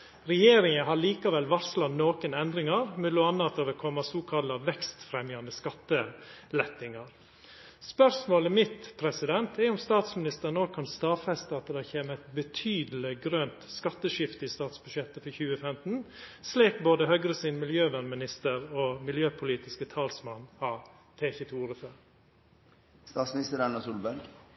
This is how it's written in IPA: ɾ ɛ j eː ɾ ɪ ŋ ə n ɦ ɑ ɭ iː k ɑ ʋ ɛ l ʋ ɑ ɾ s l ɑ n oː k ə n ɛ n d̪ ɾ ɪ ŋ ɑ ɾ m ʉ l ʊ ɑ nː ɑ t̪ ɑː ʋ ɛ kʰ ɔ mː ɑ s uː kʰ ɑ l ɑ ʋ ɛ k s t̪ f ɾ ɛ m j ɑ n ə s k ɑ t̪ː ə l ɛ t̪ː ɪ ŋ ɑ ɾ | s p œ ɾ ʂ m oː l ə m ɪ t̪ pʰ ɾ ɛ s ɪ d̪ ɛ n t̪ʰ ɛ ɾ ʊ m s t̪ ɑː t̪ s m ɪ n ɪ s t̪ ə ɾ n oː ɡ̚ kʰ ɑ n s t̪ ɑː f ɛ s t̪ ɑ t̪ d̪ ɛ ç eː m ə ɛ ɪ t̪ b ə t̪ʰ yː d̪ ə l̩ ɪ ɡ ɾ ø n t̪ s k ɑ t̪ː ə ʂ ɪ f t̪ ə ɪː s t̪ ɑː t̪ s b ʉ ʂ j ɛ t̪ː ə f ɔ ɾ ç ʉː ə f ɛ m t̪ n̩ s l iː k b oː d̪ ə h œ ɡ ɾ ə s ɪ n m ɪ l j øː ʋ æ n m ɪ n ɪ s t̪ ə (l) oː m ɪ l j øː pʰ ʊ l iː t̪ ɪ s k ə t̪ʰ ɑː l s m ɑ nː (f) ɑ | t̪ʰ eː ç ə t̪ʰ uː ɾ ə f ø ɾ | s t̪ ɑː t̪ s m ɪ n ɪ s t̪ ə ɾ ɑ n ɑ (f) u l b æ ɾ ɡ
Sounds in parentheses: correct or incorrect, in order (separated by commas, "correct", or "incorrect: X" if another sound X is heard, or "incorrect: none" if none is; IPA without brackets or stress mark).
incorrect: ɾ, incorrect: h, incorrect: s